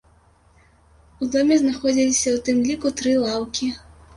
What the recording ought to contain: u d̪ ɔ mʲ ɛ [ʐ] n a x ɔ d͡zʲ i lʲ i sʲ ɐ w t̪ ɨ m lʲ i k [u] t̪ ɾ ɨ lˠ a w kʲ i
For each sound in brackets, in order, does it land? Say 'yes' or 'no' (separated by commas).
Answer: no, yes